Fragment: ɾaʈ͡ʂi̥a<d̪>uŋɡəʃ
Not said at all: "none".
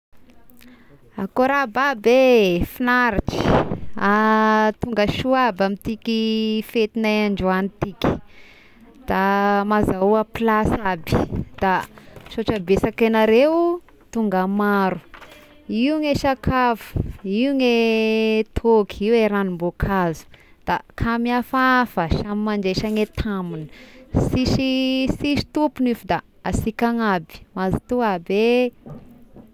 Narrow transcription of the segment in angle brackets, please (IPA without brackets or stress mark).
t̪